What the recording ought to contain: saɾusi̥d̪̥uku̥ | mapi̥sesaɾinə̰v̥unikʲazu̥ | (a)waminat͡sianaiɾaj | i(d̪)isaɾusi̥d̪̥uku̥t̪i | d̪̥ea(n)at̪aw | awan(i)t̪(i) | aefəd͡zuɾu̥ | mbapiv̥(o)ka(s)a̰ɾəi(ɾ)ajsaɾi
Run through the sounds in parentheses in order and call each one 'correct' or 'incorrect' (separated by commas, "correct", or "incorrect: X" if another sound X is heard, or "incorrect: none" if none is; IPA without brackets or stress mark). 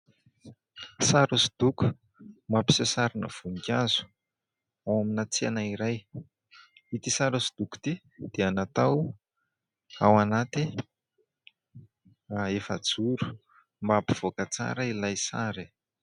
correct, incorrect: t̪, correct, incorrect: a, correct, correct, incorrect: t͡s, incorrect: l